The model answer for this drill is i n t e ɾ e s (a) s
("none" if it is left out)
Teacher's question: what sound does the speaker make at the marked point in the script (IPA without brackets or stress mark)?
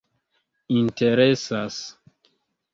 a